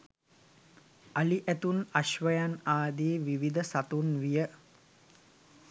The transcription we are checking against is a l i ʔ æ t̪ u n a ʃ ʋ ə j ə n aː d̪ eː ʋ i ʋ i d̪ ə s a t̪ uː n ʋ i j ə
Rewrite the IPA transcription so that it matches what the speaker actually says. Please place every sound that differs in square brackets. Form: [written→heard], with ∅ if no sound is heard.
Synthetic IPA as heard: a l i ʔ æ t̪ u n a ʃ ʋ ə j [ə→a] n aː d̪ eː ʋ i ʋ i d̪ ə s a t̪ [uː→u] n ʋ i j ə